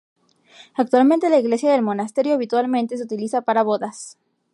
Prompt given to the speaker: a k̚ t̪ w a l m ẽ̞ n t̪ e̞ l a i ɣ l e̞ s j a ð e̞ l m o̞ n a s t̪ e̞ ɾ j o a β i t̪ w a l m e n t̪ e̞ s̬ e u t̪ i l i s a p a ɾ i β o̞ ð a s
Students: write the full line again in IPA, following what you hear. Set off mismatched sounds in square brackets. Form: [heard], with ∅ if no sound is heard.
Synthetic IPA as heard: a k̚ t̪ w a l m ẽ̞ n t̪ e̞ l a i ɣ l e̞ s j a ð e̞ l m o̞ n a s t̪ e̞ ɾ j o a β i t̪ w a l m e n t̪ e̞ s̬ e u t̪ i l i s a p a ɾ [a] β o̞ ð a s